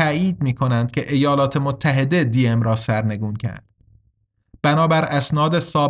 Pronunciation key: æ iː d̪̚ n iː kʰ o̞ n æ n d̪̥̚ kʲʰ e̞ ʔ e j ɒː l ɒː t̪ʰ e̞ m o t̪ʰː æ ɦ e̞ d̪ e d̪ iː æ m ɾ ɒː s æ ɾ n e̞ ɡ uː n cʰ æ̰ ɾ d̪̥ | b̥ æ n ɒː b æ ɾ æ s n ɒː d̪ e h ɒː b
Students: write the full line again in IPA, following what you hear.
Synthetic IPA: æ iː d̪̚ m iː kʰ o̞ n æ n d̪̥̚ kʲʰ e̞ ʔ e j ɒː l ɒː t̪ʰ e̞ m o t̪ʰː æ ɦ e̞ d̪ e d̪ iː e m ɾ ɒː s æ ɾ n e̞ ɡ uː n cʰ æ̰ ɾ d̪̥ | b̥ æ n ɒː b æ ɾ æ s n ɒː d̪ e s ɒː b